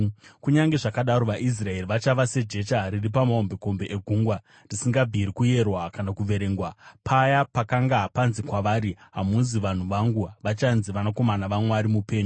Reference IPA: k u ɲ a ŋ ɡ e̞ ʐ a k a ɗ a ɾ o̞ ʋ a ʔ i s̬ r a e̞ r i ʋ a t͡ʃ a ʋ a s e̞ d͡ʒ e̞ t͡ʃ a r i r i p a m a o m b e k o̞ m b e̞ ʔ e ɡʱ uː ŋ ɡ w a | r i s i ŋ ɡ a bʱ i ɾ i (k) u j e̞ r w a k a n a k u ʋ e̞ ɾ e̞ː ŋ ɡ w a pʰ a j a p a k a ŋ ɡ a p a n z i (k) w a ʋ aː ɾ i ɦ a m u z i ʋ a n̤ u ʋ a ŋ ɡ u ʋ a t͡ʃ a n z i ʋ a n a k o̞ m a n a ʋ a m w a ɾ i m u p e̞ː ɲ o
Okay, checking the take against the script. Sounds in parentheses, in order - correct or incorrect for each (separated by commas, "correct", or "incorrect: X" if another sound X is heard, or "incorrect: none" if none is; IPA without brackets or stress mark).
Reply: correct, correct